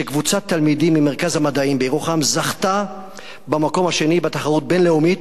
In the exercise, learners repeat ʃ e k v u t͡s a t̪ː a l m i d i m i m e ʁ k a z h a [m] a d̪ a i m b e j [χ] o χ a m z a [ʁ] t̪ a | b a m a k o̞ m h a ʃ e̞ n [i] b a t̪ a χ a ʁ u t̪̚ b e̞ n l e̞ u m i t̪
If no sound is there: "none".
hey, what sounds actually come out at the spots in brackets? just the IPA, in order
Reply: m, ʁ, χ, i

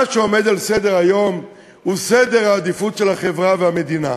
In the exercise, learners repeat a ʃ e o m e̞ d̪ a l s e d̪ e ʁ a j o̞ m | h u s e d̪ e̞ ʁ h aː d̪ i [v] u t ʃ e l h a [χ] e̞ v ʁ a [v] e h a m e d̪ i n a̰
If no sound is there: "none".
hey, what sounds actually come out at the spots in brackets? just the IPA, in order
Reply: f, χ, v

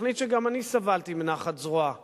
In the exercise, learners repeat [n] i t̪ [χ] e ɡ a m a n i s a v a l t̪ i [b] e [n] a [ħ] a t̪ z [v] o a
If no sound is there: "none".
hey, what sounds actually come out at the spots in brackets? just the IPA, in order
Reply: n, ʃ, m, n, χ, ʁ

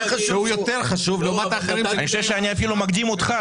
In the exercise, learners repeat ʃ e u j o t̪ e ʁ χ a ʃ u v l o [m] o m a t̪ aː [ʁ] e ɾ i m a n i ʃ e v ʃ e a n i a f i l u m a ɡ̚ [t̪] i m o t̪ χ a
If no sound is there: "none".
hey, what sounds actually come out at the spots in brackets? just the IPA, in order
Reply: none, χ, d̪

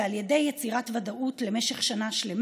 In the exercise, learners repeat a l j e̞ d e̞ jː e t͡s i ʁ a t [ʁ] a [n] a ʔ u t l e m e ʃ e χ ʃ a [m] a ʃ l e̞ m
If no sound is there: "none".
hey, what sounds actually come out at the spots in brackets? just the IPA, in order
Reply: v, d, n

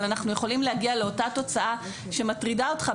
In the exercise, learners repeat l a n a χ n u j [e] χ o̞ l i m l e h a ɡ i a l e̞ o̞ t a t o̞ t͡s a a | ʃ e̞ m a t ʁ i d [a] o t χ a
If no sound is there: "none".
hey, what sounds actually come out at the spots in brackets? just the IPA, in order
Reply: e, a

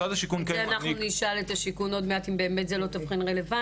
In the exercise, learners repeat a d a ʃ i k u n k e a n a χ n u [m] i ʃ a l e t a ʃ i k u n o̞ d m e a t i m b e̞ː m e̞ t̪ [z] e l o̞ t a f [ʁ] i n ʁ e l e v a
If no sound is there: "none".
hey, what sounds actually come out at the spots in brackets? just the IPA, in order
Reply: n, z, χ

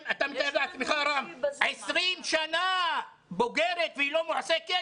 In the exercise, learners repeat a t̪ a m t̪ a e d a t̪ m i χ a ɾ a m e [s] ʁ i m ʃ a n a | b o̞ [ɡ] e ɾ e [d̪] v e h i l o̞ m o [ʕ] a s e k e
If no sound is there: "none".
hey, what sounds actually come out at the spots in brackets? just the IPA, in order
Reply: s, ɡ, t̪, ʕ

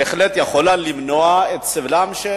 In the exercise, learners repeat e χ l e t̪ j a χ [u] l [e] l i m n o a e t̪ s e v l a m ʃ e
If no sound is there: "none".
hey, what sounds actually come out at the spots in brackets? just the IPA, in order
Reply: o, a

